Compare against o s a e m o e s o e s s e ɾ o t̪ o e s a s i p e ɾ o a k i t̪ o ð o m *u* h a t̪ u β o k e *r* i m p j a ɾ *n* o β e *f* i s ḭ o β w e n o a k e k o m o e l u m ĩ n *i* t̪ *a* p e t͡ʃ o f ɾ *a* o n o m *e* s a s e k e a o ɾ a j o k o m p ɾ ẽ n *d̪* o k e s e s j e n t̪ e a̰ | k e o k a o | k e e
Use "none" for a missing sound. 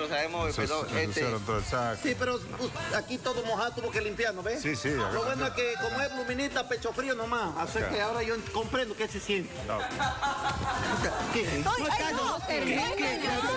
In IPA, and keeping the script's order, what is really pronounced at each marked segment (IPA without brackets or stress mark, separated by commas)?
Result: o, l, n, s, i, a, i, a, d̪